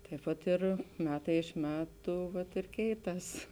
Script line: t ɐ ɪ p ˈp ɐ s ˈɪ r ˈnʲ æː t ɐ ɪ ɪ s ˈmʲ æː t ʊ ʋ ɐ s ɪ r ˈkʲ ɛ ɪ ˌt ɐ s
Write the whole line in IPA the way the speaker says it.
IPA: t ɐ ɪ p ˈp ɐ t ˈɪ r ˈmʲ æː t ɐ ɪ ɪ ʃ ˈmʲ æː t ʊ ʋ ɐ t ɪ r ˈkʲ ɛ ɪ ˌt ɐ s

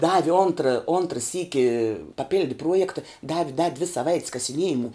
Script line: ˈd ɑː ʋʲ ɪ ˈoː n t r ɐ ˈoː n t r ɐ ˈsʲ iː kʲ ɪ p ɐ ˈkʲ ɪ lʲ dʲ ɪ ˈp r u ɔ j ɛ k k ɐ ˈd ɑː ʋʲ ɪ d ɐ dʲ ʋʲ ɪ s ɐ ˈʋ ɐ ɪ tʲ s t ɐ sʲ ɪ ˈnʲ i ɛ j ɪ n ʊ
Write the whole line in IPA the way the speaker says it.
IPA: ˈd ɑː ʋʲ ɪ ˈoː n t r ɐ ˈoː n t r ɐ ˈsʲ iː kʲ ɪ p ɐ ˈpʲ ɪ lʲ dʲ ɪ ˈp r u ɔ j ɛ k t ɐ ˈd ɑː ʋʲ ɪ d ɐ dʲ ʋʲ ɪ s ɐ ˈʋ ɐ ɪ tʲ s k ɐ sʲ ɪ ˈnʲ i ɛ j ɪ m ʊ

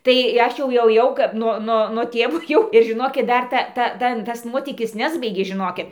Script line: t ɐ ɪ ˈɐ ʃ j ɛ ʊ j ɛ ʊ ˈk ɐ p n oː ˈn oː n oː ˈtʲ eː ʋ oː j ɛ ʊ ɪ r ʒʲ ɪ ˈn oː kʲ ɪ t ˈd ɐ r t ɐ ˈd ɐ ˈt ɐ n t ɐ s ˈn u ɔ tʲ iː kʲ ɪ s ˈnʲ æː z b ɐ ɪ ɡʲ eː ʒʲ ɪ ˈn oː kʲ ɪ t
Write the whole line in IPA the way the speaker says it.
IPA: t ɐ ɪ ˈɐ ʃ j ɛ ʊ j ɛ ʊ ˈk ɐ p n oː ˈn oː n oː ˈtʲ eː ʋ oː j ɛ ʊ ɪ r ʒʲ ɪ ˈn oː kʲ ɪ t ˈd ɐ r t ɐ ˈt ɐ ˈt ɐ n t ɐ s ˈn u ɔ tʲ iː kʲ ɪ s ˈnʲ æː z b ɐ ɪ ɡʲ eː ʒʲ ɪ ˈn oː kʲ ɪ t

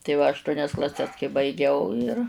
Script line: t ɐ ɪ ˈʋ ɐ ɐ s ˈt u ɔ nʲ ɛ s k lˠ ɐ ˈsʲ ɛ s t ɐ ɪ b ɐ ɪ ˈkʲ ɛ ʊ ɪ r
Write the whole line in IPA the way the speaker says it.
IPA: t ɐ ɪ ˈʋ ɐ ɐ ʃ ˈt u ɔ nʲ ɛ s k lˠ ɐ ˈsʲ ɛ s k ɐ ɪ b ɐ ɪ ˈɡʲ ɛ ʊ ɪ r

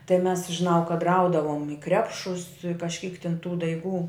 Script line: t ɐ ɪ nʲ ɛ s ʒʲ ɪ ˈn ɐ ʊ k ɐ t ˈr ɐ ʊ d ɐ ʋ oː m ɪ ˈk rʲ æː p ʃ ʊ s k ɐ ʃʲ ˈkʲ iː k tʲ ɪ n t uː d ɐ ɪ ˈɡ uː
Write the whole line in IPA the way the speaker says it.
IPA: t ɐ ɪ mʲ ɛ s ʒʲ ɪ ˈn ɐ ʊ k ɐ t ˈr ɐ ʊ d ɐ ʋ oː m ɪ ˈk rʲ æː p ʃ ʊ s k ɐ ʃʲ ˈkʲ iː k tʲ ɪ n t uː d ɐ ɪ ˈɡ uː

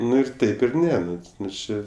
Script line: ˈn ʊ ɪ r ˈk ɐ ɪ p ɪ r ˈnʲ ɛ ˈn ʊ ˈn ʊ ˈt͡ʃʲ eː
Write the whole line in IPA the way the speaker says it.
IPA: ˈn ʊ ɪ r ˈt ɐ ɪ p ɪ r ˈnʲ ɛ ˈn ʊ ˈn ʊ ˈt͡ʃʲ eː

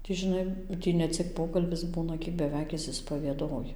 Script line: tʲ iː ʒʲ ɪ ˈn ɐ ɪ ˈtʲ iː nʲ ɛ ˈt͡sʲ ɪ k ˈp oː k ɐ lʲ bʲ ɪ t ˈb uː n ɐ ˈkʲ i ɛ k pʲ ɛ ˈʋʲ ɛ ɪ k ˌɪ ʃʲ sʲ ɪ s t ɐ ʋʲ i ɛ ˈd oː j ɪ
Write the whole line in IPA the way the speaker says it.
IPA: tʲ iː ʒʲ ɪ ˈn ɐ ɪ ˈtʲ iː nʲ ɛ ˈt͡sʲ ɪ k ˈp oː k ɐ lʲ bʲ ɪ s ˈb uː n ɐ ˈkʲ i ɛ k bʲ ɛ ˈʋʲ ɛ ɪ k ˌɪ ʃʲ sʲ ɪ s p ɐ ʋʲ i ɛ ˈd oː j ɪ

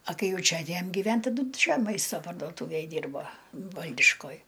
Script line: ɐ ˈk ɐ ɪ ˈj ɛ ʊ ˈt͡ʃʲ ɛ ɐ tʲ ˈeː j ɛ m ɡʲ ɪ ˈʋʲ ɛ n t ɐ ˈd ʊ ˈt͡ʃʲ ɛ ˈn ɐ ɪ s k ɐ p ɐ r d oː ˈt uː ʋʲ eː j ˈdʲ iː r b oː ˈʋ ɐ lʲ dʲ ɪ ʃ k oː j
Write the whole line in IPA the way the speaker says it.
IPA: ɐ ˈk ɐ ɪ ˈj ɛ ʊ ˈt͡ʃʲ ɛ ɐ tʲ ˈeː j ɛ m ɡʲ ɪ ˈʋʲ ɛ n t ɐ ˈd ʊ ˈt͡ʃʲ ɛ ˈm ɐ ɪ s t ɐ p ɐ r d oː ˈt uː ʋʲ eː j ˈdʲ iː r b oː ˈʋ ɐ lʲ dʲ ɪ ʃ k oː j

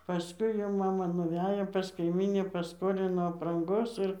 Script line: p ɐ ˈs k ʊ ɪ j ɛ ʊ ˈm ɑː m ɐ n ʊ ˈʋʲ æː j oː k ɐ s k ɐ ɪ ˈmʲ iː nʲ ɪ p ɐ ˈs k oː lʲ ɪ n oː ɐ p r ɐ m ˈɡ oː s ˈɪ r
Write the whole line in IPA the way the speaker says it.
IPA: p ɐ ˈs k ʊ ɪ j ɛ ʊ ˈm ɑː m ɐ n ʊ ˈʋʲ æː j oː p ɐ s k ɐ ɪ ˈmʲ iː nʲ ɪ p ɐ ˈs k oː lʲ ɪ n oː ɐ p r ɐ ŋ ˈɡ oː s ˈɪ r

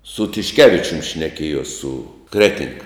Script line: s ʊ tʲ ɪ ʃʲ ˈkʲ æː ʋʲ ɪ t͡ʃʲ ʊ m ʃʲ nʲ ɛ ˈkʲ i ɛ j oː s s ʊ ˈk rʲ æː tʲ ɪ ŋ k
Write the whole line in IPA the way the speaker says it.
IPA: s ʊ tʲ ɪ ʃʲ ˈkʲ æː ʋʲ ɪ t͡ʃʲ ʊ m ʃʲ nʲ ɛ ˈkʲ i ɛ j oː s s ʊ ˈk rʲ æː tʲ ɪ ŋ k

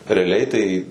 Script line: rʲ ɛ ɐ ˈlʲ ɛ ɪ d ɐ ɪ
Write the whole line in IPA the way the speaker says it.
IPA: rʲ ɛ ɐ ˈlʲ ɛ ɪ t ɐ ɪ

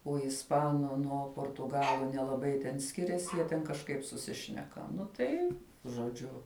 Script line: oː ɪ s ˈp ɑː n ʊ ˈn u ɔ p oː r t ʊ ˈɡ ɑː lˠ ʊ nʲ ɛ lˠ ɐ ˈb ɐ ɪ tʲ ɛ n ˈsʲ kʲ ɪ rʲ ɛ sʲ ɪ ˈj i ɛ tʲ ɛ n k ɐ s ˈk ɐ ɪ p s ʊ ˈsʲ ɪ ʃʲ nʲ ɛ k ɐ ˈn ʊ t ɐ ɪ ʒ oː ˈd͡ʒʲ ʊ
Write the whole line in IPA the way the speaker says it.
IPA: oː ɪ s ˈp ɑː n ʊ ˈn u ɔ p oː r t ʊ ˈɡ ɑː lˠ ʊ nʲ ɛ lˠ ɐ ˈb ɐ ɪ tʲ ɛ n ˈsʲ kʲ ɪ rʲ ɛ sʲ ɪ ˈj i ɛ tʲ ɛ n k ɐ ʃ ˈk ɐ ɪ p s ʊ ˈsʲ ɪ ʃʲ nʲ ɛ k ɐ ˈn ʊ t ɐ ɪ ʒ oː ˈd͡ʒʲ ʊ

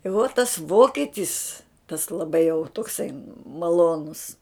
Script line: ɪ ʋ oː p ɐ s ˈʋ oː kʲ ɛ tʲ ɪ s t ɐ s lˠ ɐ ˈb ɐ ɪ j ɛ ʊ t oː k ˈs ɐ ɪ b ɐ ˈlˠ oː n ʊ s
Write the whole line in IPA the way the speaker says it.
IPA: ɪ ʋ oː t ɐ s ˈʋ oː kʲ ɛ tʲ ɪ s t ɐ s lˠ ɐ ˈb ɐ ɪ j ɛ ʊ t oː k ˈs ɐ ɪ m ɐ ˈlˠ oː n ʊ s

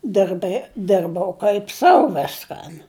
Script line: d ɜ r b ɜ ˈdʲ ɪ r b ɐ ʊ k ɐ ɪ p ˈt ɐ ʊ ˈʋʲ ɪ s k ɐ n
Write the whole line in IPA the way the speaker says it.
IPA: d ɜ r b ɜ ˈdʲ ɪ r b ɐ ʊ k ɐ ɪ p ˈs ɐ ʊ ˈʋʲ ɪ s k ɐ n

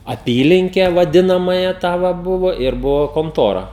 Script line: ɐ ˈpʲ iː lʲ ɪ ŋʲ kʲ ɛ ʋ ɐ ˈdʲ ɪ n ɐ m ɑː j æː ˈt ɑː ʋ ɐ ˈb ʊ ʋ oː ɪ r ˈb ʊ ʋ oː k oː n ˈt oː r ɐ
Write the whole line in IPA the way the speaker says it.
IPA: ɐ ˈpʲ iː lʲ ɪ ŋʲ kʲ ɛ ʋ ɐ ˈdʲ ɪ n ɐ m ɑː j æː ˈt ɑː ʋ ɐ ˈb ʊ ʋ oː ɪ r ˈb ʊ ʋ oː k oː n ˈt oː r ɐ

